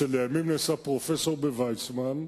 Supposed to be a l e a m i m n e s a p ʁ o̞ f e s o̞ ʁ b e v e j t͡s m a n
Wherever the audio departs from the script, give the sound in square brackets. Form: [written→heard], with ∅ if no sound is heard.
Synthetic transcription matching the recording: [a→e] l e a m i m n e s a p ʁ o̞ f e s o̞ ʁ b e v [e→a] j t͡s m a n

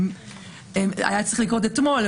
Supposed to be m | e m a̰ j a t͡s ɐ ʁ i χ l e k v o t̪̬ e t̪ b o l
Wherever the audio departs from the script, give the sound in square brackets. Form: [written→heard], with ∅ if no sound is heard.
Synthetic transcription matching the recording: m | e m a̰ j a t͡s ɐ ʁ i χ l [e→i] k [v→ʁ] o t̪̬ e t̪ [b→m] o l

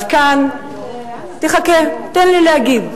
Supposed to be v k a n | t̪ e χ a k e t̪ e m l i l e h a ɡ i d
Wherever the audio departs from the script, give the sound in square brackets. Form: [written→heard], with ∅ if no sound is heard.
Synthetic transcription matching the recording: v k a n | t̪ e χ a k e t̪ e [m→n] l i l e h a ɡ i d

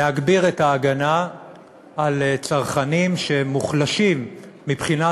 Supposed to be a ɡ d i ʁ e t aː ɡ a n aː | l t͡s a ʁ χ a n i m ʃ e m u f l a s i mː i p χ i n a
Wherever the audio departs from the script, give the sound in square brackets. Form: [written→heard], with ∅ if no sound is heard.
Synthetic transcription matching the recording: a ɡ [d→b] i ʁ e t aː ɡ a n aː | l t͡s a ʁ χ a n i m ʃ e m u [f→χ] l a [s→ʃ] i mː i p χ i n a

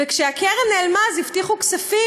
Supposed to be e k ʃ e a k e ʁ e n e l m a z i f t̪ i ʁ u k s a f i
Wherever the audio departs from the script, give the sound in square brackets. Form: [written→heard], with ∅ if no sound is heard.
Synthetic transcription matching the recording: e k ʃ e a k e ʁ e n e l m a z i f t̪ i [ʁ→χ] u k s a f i

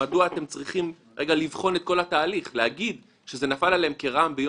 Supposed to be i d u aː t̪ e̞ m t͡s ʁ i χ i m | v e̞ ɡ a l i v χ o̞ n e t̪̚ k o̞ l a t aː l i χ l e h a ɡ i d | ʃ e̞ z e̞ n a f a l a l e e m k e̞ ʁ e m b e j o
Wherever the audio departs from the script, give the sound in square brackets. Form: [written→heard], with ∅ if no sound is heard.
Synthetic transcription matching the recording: [i→a] d u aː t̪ e̞ m t͡s ʁ i χ i m | [v→ʁ] e̞ ɡ a l i v χ o̞ n e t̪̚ k o̞ l a t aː l i χ l e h a ɡ i d | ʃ e̞ z e̞ n a f a l a l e e m k e̞ ʁ [e→a] m b e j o

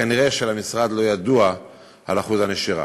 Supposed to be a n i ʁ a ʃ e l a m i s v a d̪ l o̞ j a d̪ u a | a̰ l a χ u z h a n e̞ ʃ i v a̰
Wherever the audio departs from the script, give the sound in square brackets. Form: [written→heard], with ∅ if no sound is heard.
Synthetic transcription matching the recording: a n i ʁ [a→e] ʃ e l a m i s [v→ʁ] a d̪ l o̞ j a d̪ u a | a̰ l a χ u z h a n e̞ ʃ i [v→ʁ] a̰

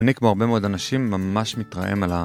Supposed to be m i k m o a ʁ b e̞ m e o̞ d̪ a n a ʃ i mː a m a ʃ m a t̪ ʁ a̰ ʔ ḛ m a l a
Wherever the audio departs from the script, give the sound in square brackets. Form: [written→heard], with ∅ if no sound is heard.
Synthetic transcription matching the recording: [m→n] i k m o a ʁ b e̞ m e o̞ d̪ a n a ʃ i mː a m a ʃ m [a→i] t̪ ʁ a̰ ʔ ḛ m a l a

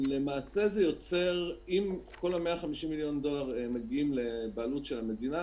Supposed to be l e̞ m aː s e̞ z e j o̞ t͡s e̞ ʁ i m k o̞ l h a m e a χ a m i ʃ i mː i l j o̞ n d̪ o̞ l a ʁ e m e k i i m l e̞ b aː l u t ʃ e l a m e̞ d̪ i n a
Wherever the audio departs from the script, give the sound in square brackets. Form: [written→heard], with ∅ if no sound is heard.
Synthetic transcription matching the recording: l e̞ m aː s e̞ z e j o̞ t͡s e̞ ʁ i m k o̞ l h a m e a χ a m i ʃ i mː i l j o̞ n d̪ o̞ l a ʁ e m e [k→ɡ] i i m l e̞ b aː l u t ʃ e l a m e̞ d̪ i n a

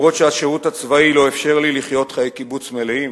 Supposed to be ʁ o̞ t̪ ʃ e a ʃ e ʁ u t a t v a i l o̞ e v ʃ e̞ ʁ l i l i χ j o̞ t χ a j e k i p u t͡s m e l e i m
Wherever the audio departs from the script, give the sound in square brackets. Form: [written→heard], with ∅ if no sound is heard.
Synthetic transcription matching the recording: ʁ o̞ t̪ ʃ e a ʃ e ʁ u t a [t→t͡s] v a i l o̞ e [v→f] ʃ e̞ ʁ l i l i χ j o̞ t χ a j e k i [p→b] u t͡s m e l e i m

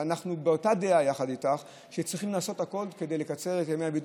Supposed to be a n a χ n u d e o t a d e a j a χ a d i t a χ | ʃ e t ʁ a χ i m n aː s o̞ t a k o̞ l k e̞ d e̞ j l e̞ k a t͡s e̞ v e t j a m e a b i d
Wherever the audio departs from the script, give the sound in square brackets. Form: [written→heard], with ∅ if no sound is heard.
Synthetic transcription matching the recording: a n a χ n u [d→b] e o t a d e a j a χ a d i t a χ | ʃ e [t→t͡s] ʁ [a→i] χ i m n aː s o̞ t a k o̞ l k e̞ d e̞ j l e̞ k a t͡s e̞ [v→ʁ] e t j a m e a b i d

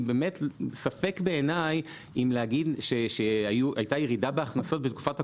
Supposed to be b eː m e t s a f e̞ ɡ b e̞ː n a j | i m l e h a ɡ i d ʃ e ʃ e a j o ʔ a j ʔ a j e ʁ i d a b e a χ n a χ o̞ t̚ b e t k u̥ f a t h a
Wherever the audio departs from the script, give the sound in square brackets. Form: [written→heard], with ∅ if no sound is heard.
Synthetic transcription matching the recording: b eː m e t s a f e̞ [ɡ→k] b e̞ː n a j | i m l e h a ɡ i d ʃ e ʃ e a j [o→u] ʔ a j [ʔ→t] a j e ʁ i d a b e a χ n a [χ→s] o̞ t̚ b e t k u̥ f a t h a

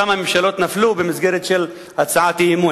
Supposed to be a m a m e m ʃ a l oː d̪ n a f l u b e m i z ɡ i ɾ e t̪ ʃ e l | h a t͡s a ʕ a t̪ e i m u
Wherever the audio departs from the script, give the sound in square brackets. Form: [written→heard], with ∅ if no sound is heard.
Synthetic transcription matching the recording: a m a m e m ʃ a l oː [d̪→t̪] n a f l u b e m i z ɡ [i→e] ɾ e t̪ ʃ e l | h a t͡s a ʕ a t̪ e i m u

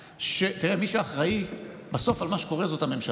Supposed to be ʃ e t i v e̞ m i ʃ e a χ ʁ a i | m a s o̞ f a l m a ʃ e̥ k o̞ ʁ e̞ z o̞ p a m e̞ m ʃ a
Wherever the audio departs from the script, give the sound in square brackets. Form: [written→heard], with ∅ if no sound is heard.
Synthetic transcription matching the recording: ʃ e t i [v→ʁ] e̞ m i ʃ e a χ ʁ a i | [m→b] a s o̞ f a l m a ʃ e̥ k o̞ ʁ e̞ z o̞ [p→t] a m e̞ m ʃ a

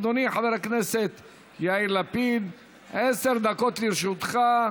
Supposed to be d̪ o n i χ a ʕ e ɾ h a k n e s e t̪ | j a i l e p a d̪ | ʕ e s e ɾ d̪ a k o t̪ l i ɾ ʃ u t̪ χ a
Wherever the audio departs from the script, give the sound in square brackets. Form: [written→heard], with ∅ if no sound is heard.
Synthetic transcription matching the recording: d̪ o n i [χ→ħ] a [ʕ→v] e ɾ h a k n e s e t̪ | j a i l [e→a] p [a→i] d̪ | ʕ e s e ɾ d̪ a k o t̪ l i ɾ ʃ u t̪ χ a

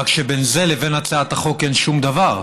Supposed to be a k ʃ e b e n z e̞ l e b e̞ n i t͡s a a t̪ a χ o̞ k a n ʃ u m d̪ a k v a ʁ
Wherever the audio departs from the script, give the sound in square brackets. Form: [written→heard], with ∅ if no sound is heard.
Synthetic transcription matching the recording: a k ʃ e b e n z e̞ l e [b→v] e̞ n [i→a] t͡s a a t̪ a χ o̞ k [a→e] n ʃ u m d̪ a [k→∅] v a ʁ

